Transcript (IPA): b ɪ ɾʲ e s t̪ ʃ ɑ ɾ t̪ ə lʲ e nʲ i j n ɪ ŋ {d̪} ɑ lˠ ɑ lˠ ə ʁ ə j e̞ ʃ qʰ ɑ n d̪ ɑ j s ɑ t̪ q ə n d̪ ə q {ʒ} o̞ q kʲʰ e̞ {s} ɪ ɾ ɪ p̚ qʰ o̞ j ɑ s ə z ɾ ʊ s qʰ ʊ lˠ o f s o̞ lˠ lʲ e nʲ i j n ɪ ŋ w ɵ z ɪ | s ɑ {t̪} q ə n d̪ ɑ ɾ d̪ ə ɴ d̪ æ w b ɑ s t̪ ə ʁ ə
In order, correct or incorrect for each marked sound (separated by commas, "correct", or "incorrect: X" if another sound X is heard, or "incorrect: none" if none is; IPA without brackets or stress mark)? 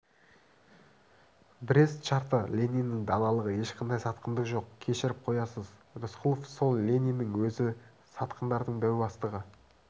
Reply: correct, correct, incorrect: ʃ, correct